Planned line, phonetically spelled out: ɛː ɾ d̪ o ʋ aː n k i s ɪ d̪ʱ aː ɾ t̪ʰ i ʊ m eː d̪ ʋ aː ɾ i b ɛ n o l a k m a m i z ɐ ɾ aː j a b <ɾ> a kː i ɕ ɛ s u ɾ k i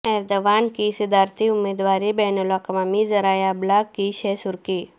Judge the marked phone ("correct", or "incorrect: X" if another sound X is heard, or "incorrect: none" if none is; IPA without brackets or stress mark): incorrect: l